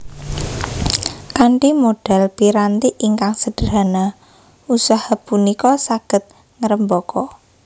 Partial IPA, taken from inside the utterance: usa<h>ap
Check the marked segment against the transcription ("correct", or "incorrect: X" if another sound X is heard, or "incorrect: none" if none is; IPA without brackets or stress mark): correct